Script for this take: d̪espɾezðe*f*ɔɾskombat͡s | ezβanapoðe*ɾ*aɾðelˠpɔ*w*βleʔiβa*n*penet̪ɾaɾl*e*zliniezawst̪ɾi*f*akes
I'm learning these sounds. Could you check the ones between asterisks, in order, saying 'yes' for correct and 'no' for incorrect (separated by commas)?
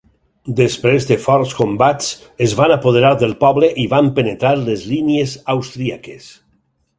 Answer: yes, yes, no, no, yes, no